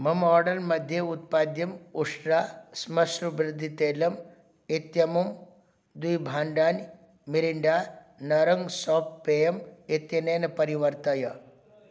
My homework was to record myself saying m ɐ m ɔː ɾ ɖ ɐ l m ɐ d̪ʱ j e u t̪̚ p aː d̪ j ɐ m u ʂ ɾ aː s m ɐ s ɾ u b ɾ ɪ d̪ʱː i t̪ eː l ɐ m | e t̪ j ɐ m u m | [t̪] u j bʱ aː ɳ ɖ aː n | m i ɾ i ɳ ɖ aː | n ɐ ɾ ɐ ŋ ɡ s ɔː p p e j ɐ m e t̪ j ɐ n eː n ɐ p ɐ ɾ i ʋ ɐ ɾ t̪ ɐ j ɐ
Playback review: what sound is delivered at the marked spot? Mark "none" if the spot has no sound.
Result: d̪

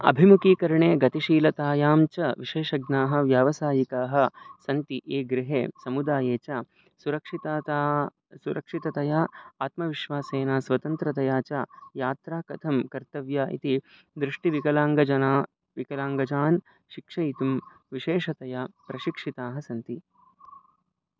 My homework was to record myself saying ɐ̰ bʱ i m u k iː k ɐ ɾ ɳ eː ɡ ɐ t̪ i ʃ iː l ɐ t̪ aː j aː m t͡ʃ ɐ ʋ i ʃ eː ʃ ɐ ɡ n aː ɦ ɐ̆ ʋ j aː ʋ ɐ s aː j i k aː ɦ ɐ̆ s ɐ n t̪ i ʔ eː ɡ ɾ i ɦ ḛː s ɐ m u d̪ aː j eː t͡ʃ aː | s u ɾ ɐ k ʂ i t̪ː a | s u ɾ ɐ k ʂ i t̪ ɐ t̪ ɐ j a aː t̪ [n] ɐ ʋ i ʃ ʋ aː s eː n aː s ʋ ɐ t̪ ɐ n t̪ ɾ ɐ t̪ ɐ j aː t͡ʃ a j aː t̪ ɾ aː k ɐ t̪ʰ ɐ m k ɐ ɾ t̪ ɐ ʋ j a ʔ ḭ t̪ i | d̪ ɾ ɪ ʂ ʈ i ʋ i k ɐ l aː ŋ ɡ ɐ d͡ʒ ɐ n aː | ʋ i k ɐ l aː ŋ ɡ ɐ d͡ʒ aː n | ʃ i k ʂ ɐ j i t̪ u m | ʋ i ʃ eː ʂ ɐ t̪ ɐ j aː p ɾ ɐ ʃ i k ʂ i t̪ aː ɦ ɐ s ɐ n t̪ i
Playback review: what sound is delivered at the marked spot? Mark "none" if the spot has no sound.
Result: m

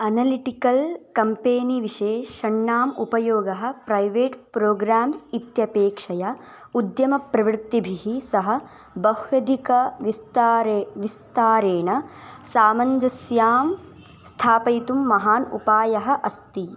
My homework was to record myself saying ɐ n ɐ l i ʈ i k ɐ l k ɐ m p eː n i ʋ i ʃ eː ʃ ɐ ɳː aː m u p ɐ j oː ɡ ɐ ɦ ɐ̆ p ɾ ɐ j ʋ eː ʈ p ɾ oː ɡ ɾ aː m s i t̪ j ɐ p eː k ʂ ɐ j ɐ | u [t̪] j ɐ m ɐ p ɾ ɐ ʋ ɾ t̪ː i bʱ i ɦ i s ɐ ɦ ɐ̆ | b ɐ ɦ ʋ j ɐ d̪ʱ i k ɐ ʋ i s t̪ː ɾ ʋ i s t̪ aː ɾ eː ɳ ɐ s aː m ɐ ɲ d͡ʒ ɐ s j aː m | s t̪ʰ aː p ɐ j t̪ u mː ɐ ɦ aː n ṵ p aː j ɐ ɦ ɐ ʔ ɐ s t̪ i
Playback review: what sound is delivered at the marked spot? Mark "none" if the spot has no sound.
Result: d̪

